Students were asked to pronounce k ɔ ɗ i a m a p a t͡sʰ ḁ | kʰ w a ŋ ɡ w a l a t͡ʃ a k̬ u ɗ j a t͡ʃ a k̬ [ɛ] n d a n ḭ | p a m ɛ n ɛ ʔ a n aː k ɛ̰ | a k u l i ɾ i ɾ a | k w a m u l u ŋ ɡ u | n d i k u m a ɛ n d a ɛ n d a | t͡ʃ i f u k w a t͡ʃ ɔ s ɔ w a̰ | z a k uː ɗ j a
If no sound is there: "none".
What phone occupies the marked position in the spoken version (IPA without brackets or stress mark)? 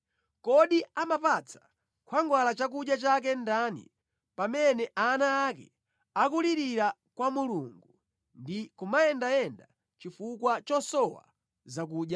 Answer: ɛ